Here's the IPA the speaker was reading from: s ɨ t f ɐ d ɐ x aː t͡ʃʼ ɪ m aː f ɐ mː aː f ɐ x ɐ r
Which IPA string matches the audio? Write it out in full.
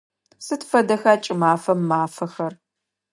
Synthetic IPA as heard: s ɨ t f ɐ d ɐ x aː t͡ʃʼ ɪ m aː f ɐ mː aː f ɐ x ɐ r

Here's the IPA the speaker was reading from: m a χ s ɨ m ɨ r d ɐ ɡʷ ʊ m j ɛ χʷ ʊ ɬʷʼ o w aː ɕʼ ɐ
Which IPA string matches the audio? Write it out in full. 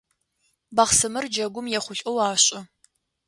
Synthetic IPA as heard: b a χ s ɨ m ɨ r d͡ʒ ɐ ɡʷ ʊ m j ɛ χʷ ʊ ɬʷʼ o w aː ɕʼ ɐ

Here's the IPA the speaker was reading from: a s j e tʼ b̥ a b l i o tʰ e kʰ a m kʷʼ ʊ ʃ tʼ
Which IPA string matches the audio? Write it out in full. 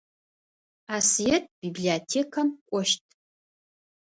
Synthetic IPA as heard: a s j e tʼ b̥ i b l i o tʰ e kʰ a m kʷʼ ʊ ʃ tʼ

